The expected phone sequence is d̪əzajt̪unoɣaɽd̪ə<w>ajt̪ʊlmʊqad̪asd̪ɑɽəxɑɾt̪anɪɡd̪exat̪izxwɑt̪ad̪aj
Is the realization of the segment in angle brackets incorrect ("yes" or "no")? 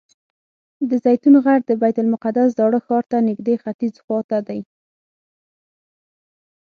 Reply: yes